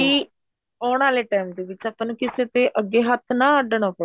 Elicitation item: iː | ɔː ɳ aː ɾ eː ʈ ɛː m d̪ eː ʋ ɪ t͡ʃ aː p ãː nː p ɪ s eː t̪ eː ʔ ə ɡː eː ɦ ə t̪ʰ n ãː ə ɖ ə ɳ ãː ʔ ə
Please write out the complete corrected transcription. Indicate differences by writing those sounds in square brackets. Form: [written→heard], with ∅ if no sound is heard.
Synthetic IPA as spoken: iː | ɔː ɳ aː [ɾ→l] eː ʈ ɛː m d̪ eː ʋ ɪ t͡ʃ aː p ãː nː [p→k] ɪ s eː t̪ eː ʔ ə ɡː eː ɦ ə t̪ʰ n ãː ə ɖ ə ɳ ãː [ʔ→p] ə

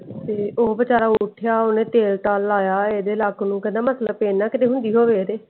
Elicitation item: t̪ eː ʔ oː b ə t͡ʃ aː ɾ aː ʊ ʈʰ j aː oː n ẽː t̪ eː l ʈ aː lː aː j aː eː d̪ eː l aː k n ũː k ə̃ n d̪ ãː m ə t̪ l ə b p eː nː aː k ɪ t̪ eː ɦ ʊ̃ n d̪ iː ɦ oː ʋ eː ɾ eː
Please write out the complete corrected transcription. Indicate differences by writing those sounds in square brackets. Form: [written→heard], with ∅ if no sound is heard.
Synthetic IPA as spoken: t̪ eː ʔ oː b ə t͡ʃ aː ɾ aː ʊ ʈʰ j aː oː n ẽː t̪ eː l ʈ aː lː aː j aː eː d̪ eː l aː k n ũː k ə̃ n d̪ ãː m ə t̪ l ə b p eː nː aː k ɪ t̪ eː ɦ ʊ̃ n d̪ iː ɦ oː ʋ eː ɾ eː

